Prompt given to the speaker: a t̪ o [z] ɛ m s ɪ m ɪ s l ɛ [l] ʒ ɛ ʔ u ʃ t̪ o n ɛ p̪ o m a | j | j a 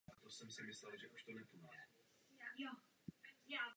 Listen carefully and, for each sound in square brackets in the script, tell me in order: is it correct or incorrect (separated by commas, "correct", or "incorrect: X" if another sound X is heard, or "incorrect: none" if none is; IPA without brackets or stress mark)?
incorrect: s, correct